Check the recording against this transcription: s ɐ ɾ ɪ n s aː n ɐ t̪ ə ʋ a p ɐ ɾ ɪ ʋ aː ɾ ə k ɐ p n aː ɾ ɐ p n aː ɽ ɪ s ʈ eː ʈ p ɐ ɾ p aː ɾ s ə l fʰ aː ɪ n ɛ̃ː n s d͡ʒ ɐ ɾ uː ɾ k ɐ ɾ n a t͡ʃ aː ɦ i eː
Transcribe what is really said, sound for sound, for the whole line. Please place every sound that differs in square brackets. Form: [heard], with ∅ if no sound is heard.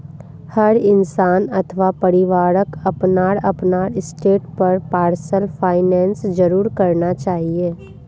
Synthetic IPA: [h] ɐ ɾ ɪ n s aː n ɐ [t̪ʰ] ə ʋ a p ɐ ɾ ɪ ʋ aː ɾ ə k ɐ p n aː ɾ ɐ p n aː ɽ ɪ s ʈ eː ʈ p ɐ ɾ p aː ɾ s ə l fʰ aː ɪ n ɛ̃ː n s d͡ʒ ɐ ɾ uː ɾ k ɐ ɾ n a t͡ʃ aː ɦ i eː